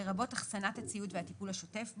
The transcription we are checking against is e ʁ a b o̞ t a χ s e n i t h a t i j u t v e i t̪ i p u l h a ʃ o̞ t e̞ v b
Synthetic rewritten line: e ʁ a b o̞ t a χ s a n a t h a t͡s i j u t v e a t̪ i p u l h a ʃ o̞ t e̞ f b